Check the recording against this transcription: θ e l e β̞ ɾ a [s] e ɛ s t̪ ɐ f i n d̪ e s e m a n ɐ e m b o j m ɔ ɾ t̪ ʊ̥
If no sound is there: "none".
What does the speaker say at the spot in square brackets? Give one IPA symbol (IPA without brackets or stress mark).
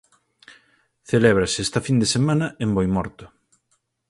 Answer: s